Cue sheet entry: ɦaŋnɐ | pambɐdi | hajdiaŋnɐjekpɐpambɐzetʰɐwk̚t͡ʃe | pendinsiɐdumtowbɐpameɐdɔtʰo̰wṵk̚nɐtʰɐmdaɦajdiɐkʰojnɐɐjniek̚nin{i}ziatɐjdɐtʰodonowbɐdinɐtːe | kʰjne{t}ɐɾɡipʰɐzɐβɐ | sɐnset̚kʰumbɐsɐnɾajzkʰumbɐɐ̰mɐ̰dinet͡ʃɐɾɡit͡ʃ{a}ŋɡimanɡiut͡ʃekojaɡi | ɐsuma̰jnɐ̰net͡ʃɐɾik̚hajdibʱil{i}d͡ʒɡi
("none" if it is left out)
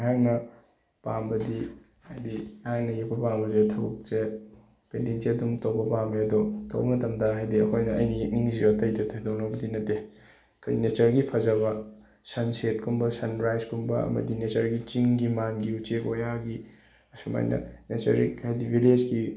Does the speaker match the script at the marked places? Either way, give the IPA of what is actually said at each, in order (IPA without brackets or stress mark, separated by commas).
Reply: i, t͡ʃ, i, e